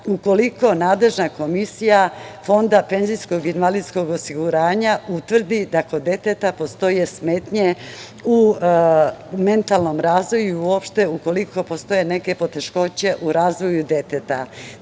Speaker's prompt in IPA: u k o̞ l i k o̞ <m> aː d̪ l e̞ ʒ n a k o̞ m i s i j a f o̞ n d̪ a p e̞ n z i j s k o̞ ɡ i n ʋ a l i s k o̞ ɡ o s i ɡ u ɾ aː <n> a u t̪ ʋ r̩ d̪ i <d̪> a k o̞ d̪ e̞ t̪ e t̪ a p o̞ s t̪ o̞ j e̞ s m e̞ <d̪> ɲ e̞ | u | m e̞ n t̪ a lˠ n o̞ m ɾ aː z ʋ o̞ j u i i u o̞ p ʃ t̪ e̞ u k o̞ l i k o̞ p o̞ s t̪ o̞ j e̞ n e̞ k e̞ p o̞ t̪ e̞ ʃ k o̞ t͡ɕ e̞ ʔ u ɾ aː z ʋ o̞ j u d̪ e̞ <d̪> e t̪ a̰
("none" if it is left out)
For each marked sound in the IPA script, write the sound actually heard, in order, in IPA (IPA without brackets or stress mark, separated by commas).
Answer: n, ɲ, d̪, t̪, t̪